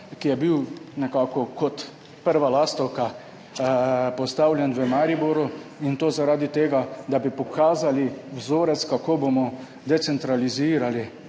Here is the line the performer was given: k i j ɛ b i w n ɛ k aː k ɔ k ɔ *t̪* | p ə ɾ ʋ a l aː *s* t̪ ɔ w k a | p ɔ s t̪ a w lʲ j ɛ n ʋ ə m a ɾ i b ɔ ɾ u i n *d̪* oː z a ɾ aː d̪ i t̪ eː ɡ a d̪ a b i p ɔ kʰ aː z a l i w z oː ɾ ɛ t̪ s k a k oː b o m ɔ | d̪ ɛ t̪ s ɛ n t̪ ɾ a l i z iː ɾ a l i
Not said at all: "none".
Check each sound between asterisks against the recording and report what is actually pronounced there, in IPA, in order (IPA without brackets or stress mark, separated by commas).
t̪, s, t̪